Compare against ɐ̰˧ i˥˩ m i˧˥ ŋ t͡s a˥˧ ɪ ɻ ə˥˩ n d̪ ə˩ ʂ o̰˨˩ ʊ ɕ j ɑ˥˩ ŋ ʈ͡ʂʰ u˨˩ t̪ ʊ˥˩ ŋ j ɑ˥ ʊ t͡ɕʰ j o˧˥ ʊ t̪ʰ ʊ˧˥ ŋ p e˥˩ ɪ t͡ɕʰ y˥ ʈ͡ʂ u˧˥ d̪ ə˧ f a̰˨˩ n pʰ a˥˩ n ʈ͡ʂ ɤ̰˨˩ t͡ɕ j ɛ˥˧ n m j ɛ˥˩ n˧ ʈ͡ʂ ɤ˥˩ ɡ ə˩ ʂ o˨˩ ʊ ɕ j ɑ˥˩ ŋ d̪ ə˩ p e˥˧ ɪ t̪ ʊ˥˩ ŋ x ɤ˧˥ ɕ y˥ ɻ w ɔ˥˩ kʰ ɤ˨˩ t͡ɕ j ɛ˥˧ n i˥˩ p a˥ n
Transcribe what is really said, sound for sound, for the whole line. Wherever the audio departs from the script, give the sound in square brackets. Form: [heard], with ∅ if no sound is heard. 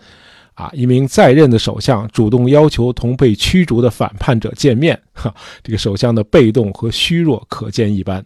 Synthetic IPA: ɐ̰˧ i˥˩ m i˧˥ ŋ t͡s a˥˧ ɪ ɻ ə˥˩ n d̪ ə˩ ʂ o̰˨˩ ʊ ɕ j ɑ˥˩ ŋ [ʈ͡ʂ] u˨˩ t̪ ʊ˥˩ ŋ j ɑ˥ ʊ t͡ɕʰ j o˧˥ ʊ t̪ʰ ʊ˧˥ ŋ p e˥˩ ɪ t͡ɕʰ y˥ ʈ͡ʂ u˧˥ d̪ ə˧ f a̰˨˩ n pʰ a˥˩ n ʈ͡ʂ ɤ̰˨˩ t͡ɕ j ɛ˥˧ n m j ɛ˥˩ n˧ ʈ͡ʂ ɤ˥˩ ɡ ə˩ ʂ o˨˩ ʊ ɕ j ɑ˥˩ ŋ d̪ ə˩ p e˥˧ ɪ t̪ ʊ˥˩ ŋ x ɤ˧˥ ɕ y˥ ɻ w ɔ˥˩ kʰ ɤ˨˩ t͡ɕ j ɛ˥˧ n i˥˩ p a˥ n